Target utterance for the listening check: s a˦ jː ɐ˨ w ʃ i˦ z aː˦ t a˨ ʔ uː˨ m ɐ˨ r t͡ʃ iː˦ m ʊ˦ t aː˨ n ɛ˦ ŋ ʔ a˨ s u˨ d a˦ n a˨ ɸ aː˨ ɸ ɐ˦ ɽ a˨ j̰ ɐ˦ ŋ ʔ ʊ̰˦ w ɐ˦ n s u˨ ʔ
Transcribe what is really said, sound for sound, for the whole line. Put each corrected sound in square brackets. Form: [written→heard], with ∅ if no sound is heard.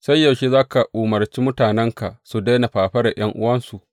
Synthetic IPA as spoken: s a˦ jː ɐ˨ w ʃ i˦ z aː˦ [t→k] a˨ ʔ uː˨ m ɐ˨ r t͡ʃ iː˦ m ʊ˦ t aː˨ n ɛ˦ ŋ [ʔ→k] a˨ s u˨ d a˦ n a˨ ɸ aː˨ ɸ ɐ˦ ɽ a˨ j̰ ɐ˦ ŋ ʔ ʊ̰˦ w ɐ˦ n s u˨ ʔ